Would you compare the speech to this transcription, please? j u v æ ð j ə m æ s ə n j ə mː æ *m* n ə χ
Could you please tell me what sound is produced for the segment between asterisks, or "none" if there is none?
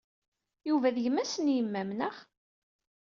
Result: m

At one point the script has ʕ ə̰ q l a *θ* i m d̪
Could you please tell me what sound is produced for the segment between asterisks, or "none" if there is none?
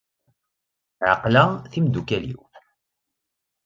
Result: θ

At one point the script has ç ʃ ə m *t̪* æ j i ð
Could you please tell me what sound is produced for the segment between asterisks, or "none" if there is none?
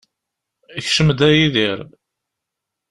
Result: d̪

